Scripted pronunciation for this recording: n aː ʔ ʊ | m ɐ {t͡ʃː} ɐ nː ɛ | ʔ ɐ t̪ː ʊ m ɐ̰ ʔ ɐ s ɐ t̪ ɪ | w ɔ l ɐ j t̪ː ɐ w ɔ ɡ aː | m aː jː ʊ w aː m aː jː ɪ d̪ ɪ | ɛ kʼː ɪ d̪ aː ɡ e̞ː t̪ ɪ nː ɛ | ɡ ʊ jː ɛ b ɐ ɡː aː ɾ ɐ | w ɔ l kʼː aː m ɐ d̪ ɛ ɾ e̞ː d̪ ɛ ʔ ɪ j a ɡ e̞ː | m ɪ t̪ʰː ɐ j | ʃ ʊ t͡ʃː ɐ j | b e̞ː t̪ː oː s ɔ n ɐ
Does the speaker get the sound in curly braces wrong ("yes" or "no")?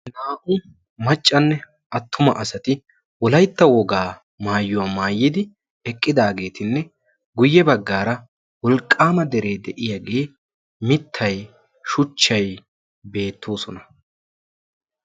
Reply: yes